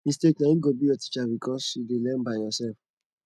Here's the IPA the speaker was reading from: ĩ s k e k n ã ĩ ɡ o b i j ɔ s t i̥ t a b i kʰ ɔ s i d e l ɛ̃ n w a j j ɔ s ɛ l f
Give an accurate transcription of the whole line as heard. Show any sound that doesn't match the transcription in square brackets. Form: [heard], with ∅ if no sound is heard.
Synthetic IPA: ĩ s [t] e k n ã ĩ ɡ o b i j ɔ [∅] t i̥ [t͡ʃ] a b i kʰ ɔ s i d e l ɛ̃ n [b] a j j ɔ s ɛ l f